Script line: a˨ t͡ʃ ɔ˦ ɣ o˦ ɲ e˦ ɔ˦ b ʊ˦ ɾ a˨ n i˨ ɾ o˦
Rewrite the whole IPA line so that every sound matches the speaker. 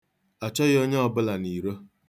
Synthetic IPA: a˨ t͡ʃ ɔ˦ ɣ o˦ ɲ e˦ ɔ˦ b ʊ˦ l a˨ n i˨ ɾ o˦